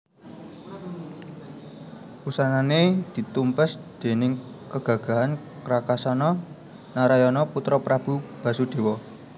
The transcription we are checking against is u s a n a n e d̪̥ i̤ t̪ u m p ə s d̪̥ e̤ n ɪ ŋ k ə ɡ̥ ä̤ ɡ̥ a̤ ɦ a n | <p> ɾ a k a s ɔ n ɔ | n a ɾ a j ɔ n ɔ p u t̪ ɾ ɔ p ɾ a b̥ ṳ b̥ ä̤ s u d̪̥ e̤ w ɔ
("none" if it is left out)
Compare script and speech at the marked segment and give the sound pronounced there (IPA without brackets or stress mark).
k